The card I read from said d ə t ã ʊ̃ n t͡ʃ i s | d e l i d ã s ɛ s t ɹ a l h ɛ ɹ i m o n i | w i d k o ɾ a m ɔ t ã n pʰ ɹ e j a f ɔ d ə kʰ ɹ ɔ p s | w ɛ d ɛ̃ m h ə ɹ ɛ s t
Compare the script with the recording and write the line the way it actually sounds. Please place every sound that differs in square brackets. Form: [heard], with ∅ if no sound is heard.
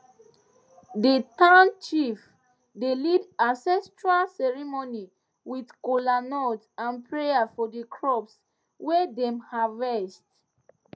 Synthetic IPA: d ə t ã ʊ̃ n t͡ʃ i [f] | d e l i d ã s ɛ s t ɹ a l [s] ɛ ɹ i m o n i | w i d k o [l] a [n] ɔ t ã n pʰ ɹ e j a f ɔ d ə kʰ ɹ ɔ p s | w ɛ d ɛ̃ m h [a] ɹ ɛ s t